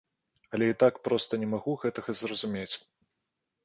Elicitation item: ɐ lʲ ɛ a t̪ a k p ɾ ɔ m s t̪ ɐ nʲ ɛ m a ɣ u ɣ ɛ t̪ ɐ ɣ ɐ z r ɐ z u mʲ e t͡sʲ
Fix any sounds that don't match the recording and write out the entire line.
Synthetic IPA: ɐ lʲ ɛ i t̪ a k p ɾ ɔ s t̪ ɐ nʲ ɛ m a ɣ u ɣ ɛ t̪ ɐ ɣ ɐ z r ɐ z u mʲ e t͡sʲ